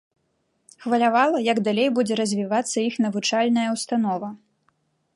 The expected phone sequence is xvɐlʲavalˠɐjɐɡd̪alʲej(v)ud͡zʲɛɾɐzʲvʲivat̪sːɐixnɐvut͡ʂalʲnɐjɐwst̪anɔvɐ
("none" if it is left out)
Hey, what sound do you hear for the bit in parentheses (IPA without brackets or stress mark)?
b